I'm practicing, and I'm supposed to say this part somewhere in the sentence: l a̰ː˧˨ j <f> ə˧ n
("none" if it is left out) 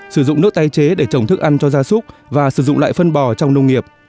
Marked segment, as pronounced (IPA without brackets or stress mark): f